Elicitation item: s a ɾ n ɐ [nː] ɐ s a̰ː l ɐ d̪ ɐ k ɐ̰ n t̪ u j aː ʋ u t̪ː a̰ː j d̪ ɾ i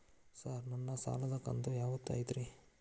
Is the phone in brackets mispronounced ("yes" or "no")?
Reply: no